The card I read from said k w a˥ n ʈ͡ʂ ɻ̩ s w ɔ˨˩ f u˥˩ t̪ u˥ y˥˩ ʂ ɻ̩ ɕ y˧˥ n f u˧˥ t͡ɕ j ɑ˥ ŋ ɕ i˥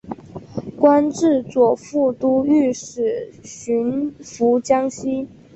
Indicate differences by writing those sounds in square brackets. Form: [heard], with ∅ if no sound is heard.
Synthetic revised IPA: k w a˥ n ʈ͡ʂ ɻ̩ [t͡s] w ɔ˨˩ f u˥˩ t̪ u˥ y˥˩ ʂ ɻ̩ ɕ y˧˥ n f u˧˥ t͡ɕ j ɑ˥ ŋ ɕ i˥